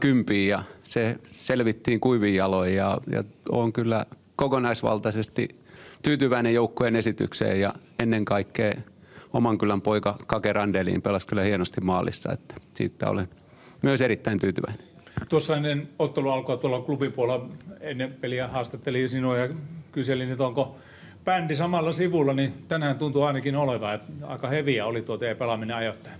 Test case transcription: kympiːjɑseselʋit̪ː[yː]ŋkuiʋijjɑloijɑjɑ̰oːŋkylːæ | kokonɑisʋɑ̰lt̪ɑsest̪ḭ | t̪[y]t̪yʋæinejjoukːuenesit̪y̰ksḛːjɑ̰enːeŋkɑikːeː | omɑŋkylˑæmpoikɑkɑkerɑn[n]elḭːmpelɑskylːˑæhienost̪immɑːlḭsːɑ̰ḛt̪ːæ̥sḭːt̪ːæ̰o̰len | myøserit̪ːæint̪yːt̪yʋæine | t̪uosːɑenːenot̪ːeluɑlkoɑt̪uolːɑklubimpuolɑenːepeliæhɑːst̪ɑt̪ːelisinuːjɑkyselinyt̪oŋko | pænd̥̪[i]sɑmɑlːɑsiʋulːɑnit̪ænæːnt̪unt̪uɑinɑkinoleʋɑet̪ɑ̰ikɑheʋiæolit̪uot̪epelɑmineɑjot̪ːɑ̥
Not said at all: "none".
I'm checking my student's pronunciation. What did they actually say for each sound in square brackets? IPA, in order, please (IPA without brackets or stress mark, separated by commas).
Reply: iː, yː, d, i